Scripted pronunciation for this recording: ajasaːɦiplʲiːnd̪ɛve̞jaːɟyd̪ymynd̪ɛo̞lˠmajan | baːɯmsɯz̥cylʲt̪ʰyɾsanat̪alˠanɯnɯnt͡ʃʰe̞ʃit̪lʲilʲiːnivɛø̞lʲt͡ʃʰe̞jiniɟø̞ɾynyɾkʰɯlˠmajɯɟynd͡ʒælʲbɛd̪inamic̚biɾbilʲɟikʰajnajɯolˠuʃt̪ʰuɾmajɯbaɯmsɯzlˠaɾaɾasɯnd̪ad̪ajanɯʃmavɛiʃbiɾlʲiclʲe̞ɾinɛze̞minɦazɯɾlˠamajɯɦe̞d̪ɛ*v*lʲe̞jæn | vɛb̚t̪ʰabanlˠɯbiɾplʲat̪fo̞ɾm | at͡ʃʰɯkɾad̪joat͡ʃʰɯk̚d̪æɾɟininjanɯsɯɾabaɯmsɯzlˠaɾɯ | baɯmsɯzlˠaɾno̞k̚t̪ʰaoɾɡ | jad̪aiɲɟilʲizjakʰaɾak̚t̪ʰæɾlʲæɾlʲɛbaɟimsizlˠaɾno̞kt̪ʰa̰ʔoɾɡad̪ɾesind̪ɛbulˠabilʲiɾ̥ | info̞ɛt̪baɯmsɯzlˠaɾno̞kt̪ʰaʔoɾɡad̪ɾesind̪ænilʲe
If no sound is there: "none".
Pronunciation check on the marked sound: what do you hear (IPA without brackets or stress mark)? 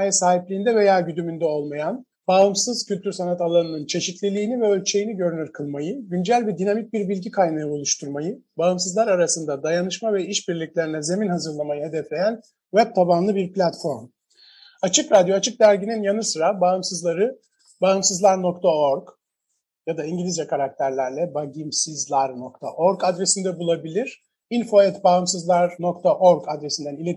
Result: f